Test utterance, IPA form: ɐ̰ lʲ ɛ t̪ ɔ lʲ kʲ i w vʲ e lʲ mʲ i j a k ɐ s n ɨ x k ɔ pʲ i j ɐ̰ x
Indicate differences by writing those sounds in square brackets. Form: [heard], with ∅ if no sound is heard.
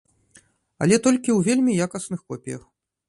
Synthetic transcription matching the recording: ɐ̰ lʲ ɛ t̪ ɔ lʲ kʲ i w vʲ e lʲ mʲ i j a k ɐ s n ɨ x k ɔ pʲ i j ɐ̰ x